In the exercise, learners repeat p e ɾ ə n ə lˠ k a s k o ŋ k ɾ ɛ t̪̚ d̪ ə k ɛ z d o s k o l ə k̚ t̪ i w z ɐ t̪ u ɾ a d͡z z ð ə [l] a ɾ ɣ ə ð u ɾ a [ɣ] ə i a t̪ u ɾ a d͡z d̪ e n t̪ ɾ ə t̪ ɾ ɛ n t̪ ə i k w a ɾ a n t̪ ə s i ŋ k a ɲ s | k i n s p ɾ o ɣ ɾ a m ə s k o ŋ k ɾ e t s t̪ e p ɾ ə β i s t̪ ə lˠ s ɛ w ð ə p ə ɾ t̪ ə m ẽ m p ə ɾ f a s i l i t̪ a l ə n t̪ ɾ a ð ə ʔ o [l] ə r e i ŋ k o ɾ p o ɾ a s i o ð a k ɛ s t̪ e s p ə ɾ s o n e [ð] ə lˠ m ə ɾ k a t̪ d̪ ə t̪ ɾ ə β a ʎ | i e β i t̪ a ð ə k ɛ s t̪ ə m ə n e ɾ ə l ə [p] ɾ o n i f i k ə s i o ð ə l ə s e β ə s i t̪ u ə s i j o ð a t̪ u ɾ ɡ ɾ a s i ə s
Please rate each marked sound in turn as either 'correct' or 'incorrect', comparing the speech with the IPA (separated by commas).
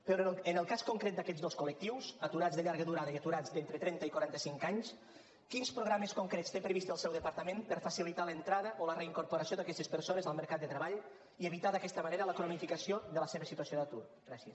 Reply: incorrect, incorrect, correct, incorrect, incorrect